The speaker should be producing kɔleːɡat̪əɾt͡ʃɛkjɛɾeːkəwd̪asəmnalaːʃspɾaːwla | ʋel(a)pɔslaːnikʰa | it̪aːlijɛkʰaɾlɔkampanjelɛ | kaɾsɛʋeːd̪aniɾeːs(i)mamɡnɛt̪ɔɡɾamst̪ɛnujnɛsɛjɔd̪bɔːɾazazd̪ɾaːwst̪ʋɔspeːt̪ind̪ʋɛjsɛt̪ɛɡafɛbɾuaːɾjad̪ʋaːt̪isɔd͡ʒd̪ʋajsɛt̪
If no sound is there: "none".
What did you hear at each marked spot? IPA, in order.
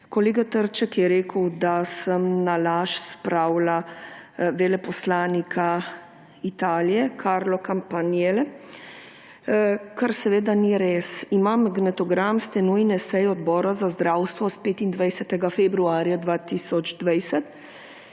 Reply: ɛ, i

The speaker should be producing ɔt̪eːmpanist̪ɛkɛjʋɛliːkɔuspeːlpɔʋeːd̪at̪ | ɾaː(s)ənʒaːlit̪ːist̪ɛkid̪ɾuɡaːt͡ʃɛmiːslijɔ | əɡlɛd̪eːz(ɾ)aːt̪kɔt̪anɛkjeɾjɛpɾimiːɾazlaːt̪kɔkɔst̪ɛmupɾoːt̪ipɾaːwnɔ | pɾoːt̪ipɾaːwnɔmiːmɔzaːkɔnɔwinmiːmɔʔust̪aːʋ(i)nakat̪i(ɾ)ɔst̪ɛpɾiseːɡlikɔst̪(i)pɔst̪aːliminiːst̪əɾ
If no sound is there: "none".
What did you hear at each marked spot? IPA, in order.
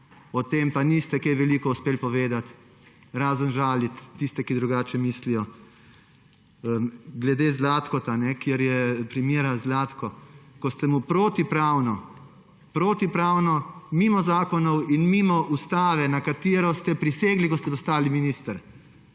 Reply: z, l, ɛ, ɾ, ɛ

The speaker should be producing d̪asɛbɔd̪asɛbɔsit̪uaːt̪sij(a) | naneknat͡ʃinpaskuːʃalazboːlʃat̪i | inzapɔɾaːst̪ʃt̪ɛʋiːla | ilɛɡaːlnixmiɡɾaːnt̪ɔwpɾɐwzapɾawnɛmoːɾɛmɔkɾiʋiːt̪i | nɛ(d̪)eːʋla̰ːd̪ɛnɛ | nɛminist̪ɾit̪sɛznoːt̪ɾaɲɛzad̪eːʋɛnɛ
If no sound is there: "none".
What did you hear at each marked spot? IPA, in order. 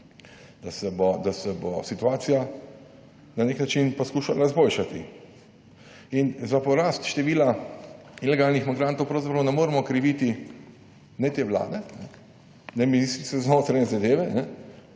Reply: a, t̪

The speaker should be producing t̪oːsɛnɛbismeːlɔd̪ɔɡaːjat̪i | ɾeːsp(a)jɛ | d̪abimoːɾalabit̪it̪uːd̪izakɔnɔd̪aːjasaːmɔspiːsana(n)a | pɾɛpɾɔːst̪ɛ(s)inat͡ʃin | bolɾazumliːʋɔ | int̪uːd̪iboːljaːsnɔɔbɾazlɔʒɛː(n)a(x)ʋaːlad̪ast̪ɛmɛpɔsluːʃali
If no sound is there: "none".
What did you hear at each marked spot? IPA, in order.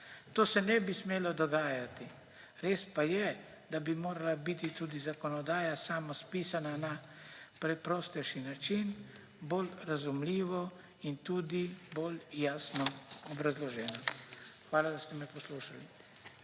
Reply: a, n, ʃ, n, x

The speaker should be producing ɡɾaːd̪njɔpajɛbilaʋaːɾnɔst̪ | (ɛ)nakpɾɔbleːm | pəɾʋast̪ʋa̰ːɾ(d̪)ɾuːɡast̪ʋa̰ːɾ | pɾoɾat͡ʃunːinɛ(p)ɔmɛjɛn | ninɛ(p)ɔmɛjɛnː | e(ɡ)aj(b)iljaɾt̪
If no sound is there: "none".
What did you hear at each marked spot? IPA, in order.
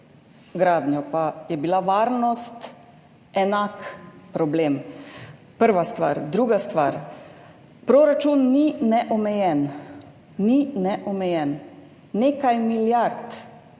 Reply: ɛ, d̪, ʔ, ʔ, k, m

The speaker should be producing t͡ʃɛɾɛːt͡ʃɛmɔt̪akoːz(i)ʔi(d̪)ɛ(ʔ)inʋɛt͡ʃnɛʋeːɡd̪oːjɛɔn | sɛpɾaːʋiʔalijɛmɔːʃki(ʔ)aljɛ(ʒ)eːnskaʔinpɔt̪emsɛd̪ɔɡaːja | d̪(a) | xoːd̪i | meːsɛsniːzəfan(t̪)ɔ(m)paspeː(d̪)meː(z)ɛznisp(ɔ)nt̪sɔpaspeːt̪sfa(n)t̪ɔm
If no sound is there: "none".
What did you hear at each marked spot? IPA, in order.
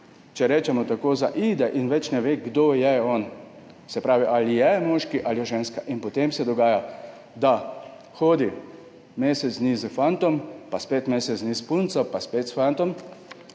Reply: a, d̪, ʔ, ʔ, ʒ, a, t̪, m, t̪, s, u, n

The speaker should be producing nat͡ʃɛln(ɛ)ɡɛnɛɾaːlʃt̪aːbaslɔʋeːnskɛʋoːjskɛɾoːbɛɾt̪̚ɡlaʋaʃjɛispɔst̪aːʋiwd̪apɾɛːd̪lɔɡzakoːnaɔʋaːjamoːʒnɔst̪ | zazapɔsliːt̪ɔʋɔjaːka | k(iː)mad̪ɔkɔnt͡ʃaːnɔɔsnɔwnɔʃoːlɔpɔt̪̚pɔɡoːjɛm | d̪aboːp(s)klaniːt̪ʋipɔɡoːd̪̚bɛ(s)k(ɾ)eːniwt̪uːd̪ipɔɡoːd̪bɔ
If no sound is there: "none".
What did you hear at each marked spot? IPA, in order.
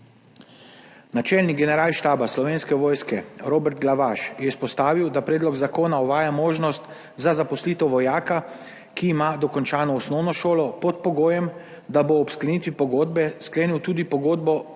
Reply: i, iː, s, s, l

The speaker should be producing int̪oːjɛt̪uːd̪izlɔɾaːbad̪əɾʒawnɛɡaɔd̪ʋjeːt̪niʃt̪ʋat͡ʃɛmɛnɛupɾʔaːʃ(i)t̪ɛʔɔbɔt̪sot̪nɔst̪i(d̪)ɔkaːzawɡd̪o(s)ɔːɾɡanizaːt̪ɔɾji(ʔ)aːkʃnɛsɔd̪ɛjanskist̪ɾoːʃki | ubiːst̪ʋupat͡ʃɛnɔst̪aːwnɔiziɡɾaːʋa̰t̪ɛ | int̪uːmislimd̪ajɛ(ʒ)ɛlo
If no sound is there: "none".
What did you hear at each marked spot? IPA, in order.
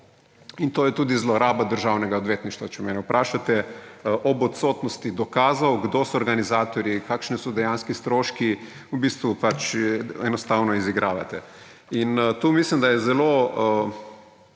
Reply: a, d̪, s, k, z

